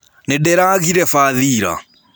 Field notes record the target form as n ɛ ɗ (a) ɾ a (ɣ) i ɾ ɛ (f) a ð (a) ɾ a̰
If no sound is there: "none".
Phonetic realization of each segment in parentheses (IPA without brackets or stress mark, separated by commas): ɛ, ɣ, f, i